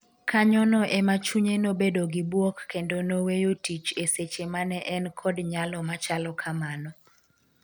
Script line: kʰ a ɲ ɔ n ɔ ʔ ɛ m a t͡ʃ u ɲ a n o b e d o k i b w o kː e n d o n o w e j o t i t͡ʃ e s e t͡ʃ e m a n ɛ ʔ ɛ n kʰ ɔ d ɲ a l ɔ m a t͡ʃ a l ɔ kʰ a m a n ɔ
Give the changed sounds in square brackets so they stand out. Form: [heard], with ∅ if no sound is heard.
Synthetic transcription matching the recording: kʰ a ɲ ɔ n ɔ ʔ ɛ m a t͡ʃ u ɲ [e] n o b e d o [ɡ] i b w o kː e n d o n o w e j o t i t͡ʃ e s e t͡ʃ e m a n ɛ ʔ ɛ n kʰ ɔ d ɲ a l ɔ m a t͡ʃ a l ɔ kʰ a m a n ɔ